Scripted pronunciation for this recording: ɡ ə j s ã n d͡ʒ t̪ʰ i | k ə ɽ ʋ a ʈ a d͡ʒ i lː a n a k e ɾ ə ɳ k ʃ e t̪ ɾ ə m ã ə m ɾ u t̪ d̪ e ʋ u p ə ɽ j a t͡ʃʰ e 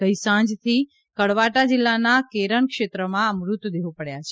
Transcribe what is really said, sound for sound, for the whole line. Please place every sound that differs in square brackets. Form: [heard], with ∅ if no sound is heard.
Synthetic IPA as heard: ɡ ə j s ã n d͡ʒ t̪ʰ i | k ə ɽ ʋ a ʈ a d͡ʒ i lː a n a k e ɾ ə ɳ k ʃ e t̪ ɾ ə m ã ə m ɾ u t̪ d̪ e ʋ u p ə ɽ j a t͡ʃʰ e